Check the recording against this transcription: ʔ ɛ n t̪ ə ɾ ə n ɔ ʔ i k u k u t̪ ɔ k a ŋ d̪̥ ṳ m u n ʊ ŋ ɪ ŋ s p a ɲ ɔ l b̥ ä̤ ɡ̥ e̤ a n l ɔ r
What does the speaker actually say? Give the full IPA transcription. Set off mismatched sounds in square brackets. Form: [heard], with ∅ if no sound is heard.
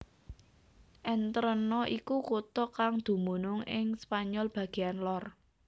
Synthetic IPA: ʔ ɛ n t̪ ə ɾ ə n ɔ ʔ i k u k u t̪ ɔ k a ŋ d̪̥ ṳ m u n ʊ ŋ ɪ ŋ s p a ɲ ɔ l b̥ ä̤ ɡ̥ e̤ a n l ɔ r